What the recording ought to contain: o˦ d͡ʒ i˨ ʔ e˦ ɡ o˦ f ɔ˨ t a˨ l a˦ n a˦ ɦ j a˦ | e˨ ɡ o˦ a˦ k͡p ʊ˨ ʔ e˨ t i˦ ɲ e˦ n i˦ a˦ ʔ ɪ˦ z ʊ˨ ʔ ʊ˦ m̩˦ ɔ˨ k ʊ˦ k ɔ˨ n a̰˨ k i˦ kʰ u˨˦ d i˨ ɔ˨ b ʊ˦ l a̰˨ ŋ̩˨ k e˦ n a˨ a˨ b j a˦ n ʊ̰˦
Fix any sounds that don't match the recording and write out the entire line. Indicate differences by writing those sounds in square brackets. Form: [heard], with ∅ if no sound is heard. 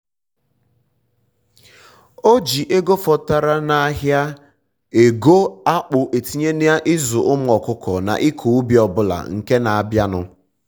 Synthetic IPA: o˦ d͡ʒ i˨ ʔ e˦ ɡ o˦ f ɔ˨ t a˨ [ɾ] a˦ n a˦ ɦ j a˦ | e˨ ɡ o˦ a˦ k͡p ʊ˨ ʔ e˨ t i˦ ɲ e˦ n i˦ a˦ ʔ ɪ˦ z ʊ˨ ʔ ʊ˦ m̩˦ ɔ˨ k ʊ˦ k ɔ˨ n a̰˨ [ʔ] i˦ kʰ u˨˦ [b] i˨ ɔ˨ b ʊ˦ l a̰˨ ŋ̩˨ k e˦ n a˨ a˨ b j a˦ n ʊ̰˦